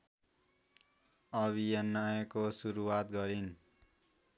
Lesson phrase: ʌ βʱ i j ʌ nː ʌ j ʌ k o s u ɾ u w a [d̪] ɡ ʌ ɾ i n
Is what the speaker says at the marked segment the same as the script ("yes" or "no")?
no